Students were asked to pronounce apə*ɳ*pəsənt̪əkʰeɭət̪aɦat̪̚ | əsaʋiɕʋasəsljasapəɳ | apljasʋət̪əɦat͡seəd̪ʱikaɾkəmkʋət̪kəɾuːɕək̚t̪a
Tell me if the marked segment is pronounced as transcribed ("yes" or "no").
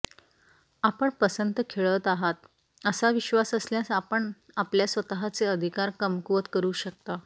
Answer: yes